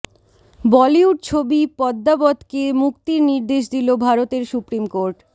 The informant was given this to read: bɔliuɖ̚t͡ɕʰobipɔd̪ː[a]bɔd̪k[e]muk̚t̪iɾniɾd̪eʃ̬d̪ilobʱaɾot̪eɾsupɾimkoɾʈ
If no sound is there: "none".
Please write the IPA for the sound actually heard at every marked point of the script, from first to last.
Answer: a, e

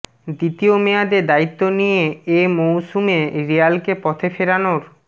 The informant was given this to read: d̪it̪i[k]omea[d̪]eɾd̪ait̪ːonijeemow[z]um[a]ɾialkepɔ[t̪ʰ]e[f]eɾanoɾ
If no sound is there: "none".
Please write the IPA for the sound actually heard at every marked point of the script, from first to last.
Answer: none, d̪, s, e, t̪ʰ, f

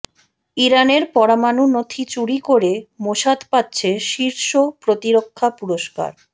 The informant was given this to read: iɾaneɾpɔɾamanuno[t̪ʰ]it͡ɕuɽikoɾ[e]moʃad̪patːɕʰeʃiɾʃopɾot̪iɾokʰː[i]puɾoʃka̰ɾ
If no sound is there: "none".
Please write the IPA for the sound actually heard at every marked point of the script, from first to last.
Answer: t̪ʰ, e, a

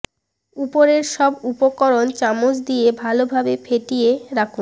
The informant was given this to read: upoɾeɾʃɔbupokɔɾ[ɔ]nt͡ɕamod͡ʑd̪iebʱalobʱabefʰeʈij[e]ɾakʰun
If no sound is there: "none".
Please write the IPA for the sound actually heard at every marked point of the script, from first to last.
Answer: o, e

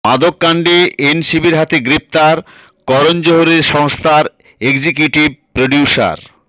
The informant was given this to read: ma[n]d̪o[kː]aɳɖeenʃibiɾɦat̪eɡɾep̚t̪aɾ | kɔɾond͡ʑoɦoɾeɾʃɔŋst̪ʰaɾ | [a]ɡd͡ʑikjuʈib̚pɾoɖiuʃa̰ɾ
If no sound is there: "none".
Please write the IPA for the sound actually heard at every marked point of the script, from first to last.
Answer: none, kː, e

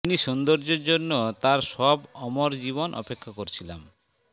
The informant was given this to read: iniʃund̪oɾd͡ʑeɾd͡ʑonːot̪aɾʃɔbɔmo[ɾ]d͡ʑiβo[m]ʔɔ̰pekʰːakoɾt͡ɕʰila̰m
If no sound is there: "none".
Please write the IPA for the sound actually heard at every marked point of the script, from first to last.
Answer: ɾ, n

